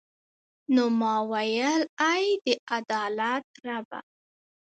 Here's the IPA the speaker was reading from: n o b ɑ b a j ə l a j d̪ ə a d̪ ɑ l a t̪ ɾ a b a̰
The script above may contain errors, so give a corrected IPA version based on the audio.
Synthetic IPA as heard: n o m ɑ w a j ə l a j d̪ ə a d̪ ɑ l a t̪ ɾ a b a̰